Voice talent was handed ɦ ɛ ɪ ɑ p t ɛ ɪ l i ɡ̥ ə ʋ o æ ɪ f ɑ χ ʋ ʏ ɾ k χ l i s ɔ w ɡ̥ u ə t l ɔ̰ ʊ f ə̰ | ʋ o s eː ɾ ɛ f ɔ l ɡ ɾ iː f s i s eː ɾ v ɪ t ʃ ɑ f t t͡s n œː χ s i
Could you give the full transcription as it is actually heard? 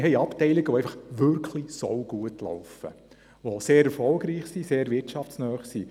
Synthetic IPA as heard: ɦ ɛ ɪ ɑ p t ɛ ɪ l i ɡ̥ ə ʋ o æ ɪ f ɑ χ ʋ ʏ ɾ k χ l i s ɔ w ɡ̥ u ə t l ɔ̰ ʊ f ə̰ | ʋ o s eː ɾ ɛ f ɔ l ɡ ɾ iː χ s i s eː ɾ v ɪ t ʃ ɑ f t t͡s n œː χ s i